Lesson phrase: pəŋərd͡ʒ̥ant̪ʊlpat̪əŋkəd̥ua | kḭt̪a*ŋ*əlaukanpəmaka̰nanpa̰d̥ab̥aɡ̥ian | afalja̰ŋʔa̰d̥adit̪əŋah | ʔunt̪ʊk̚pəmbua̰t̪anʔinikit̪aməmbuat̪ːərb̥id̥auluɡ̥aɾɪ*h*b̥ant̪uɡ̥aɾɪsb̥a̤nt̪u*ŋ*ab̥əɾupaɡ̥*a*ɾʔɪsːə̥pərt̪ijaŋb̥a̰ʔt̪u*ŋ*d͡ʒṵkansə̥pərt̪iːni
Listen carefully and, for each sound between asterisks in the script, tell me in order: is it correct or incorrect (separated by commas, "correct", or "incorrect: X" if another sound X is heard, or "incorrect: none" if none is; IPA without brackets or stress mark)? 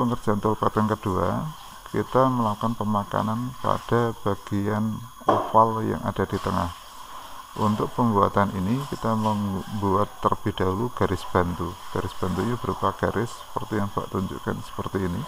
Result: incorrect: m, incorrect: s, incorrect: ɲ, correct, incorrect: ɲ